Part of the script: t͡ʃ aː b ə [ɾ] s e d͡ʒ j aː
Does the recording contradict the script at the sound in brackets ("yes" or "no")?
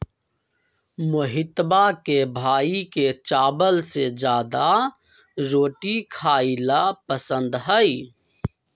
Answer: yes